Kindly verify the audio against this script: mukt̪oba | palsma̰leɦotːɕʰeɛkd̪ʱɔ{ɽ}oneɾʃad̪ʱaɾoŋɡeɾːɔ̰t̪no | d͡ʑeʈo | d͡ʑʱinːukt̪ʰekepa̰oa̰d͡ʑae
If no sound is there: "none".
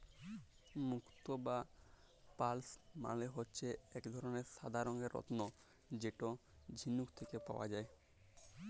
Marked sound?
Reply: ɾ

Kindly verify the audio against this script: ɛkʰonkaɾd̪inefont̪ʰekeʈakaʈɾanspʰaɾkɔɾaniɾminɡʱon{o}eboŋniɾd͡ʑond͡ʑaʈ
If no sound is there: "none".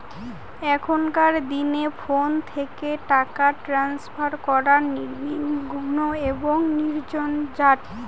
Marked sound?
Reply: o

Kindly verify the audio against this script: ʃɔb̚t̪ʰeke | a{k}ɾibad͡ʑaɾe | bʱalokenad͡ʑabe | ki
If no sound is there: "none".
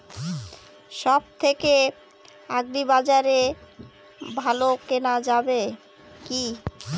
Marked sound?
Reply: ɡ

